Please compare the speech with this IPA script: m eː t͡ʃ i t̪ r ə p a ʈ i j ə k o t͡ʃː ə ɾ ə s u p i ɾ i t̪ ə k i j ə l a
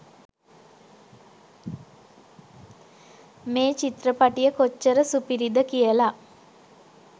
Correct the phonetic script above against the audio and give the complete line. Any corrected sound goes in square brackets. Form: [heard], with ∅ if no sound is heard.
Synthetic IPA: m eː t͡ʃ i t̪ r ə p a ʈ i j ə k o t͡ʃː ə ɾ ə s u p i ɾ i [d̪] ə k i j ə l a